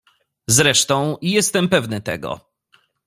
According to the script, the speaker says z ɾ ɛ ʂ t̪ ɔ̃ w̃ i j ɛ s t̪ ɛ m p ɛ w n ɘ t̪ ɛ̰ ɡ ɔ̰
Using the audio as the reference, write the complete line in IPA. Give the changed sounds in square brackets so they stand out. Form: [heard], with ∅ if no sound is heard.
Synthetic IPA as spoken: z ɾ ɛ ʂ t̪ ɔ̃ w̃ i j ɛ s t̪ ɛ m p ɛ [v] n ɘ t̪ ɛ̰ ɡ ɔ̰